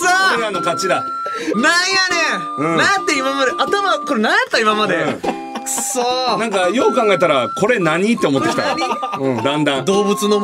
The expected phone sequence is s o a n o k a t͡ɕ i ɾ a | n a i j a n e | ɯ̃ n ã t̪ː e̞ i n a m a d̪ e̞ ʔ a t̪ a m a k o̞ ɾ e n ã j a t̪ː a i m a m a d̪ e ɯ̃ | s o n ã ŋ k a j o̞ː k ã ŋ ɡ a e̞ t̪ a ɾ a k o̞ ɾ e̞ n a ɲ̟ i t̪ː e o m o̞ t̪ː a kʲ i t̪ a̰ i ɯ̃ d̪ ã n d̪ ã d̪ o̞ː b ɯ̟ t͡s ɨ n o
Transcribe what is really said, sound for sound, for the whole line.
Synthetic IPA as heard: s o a n o k a t͡ɕ i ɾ a | n a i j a n e | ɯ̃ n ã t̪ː e̞ i m a m a d̪ e̞ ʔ a t̪ a m a k o̞ ɾ e n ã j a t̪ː a i m a m a d̪ e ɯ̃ | s o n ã ŋ k a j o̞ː k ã ŋ ɡ a e̞ t̪ a ɾ a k o̞ ɾ e̞ n a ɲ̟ i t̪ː e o m o̞ t̪ː e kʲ i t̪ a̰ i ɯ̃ d̪ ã n d̪ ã d̪ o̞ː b ɯ̟ t͡s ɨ n o